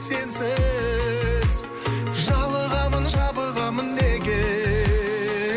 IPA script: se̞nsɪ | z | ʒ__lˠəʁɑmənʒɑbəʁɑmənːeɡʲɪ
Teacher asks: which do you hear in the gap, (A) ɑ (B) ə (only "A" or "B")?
A